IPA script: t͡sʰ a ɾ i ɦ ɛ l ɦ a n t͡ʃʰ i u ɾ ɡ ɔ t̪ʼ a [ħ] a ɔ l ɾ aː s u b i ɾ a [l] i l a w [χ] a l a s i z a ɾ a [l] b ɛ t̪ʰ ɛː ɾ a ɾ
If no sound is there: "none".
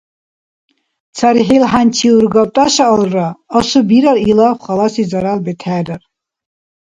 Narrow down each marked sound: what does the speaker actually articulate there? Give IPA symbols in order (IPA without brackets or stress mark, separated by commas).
ʃ, ɾ, χ, l